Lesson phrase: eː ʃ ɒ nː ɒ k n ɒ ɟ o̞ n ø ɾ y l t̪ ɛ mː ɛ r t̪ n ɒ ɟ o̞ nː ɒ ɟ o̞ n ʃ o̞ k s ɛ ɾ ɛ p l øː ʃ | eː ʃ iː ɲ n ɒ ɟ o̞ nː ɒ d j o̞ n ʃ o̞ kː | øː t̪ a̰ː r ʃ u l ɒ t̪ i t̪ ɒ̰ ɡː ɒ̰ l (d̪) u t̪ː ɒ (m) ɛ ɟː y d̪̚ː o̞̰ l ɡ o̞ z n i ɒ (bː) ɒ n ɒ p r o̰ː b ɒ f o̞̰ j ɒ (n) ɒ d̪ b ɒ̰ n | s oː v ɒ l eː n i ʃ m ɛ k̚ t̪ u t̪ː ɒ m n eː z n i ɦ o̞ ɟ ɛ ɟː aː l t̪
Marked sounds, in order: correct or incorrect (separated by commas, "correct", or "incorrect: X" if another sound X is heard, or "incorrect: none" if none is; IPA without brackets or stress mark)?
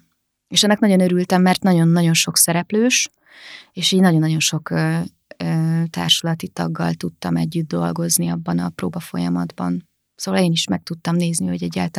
incorrect: t̪, correct, correct, incorrect: m